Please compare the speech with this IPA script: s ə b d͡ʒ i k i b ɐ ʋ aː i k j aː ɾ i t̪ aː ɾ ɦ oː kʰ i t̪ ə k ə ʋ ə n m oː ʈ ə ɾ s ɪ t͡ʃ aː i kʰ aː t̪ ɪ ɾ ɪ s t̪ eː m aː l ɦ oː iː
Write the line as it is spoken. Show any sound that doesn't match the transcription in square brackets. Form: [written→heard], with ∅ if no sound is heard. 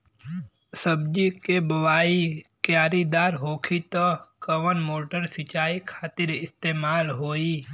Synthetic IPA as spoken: s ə b d͡ʒ i k [i→e] b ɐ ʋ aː i k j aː ɾ i [t̪→d̪] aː ɾ ɦ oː kʰ i t̪ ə k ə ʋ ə n m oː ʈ ə ɾ s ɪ t͡ʃ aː i kʰ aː t̪ ɪ ɾ ɪ s t̪ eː m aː l ɦ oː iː